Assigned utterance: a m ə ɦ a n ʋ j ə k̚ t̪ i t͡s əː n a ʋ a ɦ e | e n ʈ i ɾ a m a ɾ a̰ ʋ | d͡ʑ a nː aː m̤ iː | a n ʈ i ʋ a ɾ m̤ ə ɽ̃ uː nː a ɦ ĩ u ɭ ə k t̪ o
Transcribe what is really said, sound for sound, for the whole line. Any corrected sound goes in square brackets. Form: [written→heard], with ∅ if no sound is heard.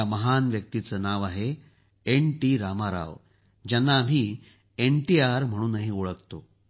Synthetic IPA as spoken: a m ə ɦ a n ʋ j ə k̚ t̪ i t͡s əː n a ʋ a ɦ e | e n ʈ i ɾ a m a ɾ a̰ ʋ | d͡ʑ a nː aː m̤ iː | [a→e] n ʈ i [ʋ→∅] a ɾ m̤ ə ɽ̃ uː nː a ɦ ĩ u ɭ ə k t̪ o